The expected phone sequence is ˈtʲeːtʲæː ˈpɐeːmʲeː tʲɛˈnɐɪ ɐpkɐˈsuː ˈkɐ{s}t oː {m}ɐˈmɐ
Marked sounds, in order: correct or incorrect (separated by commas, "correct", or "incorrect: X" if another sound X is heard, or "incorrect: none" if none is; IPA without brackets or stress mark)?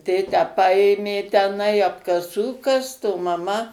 correct, correct